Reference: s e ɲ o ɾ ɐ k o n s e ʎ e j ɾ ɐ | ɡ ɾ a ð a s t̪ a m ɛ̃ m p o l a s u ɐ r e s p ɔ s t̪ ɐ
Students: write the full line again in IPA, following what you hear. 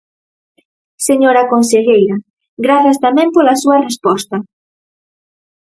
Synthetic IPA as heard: s e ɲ o ɾ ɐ k o n s e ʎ e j ɾ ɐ | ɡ ɾ a θ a s t̪ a m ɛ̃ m p o l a s u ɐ r e s p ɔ s t̪ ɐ